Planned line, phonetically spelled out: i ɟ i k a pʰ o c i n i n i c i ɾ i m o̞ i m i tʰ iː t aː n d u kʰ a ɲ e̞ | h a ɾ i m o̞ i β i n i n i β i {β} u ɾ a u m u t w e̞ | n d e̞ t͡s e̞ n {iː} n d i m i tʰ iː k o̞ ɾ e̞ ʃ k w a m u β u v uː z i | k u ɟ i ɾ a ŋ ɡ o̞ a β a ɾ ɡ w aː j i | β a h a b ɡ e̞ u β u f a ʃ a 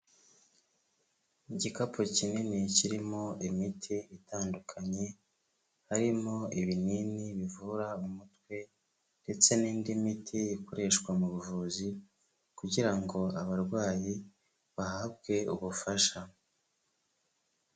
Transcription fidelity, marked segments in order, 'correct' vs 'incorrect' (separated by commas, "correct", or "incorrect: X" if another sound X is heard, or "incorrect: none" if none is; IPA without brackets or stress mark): incorrect: v, correct